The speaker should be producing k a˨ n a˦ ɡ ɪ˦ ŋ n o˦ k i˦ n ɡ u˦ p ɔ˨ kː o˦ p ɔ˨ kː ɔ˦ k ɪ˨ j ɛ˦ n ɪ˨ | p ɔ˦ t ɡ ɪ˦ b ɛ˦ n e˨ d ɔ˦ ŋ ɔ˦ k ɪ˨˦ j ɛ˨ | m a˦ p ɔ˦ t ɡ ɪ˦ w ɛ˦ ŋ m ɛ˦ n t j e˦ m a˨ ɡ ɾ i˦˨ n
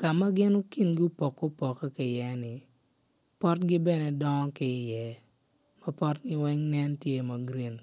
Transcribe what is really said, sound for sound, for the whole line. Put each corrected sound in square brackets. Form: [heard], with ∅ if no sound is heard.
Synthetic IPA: k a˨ [m] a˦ ɡ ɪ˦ [∅] n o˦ k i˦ n ɡ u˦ p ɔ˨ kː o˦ p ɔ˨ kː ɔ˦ k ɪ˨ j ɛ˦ n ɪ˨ | p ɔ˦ t ɡ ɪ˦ b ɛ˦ n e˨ d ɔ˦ ŋ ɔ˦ k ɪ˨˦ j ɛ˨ | m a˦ p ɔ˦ t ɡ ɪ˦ w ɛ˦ ŋ [n] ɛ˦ n t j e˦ m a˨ ɡ ɾ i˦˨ n